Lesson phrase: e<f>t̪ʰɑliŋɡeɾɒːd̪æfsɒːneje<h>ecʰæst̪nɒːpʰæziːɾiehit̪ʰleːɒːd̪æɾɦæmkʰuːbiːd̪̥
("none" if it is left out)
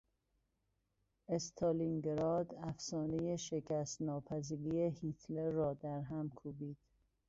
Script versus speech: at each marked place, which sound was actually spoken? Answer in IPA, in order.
s, ʃ

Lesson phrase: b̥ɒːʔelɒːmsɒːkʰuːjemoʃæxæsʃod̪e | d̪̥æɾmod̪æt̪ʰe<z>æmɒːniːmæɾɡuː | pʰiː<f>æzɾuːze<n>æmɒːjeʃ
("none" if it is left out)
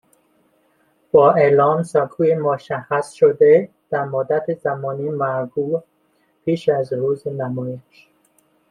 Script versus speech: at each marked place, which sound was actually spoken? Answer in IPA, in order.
z, ʃ, n

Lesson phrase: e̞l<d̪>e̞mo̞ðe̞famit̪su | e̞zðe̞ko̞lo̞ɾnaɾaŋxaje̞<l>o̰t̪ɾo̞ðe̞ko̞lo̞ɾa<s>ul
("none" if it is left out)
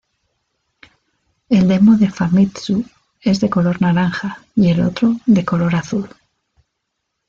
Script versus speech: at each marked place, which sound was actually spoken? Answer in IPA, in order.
d̪, l, θ

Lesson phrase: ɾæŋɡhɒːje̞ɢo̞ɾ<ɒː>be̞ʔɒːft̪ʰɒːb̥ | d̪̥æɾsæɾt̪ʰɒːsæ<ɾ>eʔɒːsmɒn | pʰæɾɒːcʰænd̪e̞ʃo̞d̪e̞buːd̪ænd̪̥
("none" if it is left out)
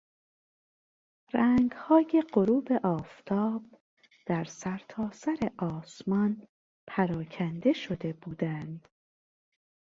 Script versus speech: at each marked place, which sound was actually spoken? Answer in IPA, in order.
uː, ɾ

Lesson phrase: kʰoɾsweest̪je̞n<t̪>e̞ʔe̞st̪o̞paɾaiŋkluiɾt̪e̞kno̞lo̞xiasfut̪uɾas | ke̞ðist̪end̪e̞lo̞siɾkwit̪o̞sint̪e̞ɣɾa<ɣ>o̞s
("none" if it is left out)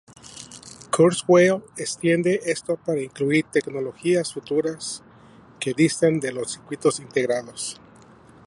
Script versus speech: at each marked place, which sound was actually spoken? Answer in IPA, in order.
d̪, ð

